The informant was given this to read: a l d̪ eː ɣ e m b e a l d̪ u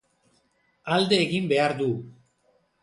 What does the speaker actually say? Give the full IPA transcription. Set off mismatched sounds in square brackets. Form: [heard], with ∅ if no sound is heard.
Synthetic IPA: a l d̪ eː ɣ [i] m b e a [ɾ] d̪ u